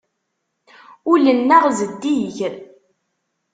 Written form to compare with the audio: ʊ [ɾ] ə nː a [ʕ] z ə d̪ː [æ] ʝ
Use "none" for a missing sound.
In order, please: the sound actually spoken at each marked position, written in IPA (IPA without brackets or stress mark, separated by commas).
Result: l, ʁ, i